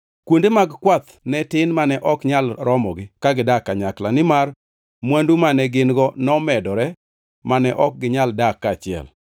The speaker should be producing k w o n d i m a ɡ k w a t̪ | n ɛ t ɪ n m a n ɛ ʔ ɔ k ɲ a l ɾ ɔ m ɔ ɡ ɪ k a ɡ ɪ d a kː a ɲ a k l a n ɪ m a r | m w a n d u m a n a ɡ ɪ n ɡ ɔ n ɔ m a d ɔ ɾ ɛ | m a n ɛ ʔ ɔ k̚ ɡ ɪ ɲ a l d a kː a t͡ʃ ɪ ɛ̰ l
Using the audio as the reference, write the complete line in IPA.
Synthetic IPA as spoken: k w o n d e m a ɡ k w a t̪ | n ɛ t ɪ n m a n ɛ ʔ ɔ k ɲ a l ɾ ɔ m ɔ ɡ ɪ k a ɡ ɪ d a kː a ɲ a k l a n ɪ m a r | m w a n d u m a n ɛ ɡ ɪ n ɡ ɔ n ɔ m ɛ d ɔ ɾ ɛ | m a n ɛ ʔ ɔ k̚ ɡ ɪ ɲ a l d a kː a t͡ʃ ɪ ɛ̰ l